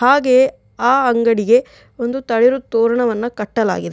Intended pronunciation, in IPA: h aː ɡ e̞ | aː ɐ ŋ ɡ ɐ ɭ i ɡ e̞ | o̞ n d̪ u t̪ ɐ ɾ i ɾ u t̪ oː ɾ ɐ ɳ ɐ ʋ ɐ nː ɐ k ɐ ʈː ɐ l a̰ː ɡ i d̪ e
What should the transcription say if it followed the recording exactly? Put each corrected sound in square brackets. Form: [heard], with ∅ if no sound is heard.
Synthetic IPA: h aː ɡ e̞ | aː ɐ ŋ ɡ ɐ [ɽ] i ɡ e̞ | o̞ n d̪ u t̪ ɐ [ɭ] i ɾ u t̪ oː ɾ ɐ ɳ ɐ ʋ ɐ nː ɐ k ɐ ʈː ɐ l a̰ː ɡ i d̪ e